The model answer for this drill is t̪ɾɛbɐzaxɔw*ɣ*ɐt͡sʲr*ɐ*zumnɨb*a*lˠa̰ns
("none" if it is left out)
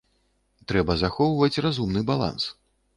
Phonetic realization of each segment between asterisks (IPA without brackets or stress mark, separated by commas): v, a, a